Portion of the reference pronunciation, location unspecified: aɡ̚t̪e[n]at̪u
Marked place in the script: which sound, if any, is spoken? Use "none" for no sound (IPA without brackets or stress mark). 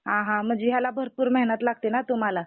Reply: n